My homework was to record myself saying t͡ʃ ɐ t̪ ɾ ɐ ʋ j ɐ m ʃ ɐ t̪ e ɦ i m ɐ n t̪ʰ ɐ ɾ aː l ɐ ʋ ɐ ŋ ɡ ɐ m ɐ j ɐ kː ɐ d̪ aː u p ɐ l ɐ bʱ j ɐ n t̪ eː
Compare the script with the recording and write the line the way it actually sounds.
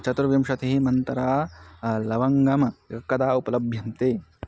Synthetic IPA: t͡ʃ ɐ t̪ ɾ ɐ ʋ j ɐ m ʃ ɐ t̪ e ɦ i m ɐ n t̪ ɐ ɾ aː l ɐ ʋ ɐ ŋ ɡ ɐ m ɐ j ɐ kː ɐ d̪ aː u p ɐ l ɐ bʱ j ɐ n t̪ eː